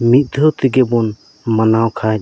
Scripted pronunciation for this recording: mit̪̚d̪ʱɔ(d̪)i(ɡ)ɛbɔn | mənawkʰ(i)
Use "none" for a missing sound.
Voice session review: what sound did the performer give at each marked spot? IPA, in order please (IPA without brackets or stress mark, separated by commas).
t̪, ɡ, a